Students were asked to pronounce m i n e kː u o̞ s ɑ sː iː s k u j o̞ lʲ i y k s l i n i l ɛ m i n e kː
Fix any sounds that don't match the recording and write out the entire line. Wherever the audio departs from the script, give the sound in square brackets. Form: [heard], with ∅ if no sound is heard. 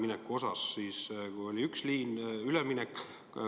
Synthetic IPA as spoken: m i n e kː u o̞ s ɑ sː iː s k u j o̞ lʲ i y k s l [iː] n [y] l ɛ m i n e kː